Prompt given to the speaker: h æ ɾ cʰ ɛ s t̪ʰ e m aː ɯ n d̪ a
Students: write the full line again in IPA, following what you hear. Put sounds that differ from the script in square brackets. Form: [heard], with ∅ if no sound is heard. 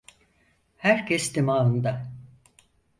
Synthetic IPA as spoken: h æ ɾ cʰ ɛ s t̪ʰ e m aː ɯ n d̪ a